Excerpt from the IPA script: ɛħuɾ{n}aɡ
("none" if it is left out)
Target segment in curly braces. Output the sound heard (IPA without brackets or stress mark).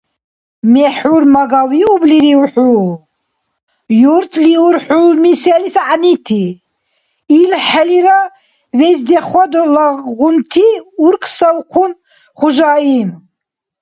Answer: m